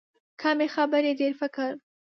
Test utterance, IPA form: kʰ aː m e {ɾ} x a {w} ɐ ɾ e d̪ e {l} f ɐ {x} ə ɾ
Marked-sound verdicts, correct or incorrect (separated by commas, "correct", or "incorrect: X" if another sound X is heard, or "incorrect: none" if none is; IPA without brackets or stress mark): incorrect: none, incorrect: b, incorrect: ɾ, incorrect: k